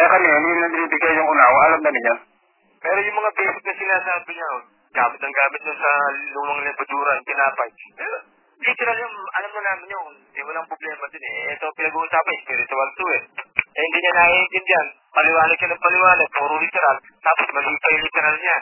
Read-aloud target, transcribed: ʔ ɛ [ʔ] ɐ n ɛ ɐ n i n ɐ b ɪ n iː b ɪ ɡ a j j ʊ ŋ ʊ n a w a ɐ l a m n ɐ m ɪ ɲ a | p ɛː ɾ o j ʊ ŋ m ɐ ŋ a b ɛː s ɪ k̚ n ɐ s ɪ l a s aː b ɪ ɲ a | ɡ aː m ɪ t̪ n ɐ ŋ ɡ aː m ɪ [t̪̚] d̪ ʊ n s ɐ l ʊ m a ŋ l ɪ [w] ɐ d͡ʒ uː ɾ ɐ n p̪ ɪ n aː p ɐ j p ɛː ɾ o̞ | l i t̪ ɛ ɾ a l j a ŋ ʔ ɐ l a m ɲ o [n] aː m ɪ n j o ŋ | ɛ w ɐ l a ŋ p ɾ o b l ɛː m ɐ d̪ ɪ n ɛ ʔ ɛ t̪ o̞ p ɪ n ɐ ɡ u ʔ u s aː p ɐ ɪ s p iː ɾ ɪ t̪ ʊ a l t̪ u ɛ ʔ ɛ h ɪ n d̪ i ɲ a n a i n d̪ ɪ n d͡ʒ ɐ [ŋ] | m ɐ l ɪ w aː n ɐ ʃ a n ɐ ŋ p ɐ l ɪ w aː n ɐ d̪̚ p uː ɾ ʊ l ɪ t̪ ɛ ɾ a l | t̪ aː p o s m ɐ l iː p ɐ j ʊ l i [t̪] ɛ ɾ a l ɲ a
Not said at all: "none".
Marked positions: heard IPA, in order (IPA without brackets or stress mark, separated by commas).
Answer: k, t̪̚, b, n, n, t̪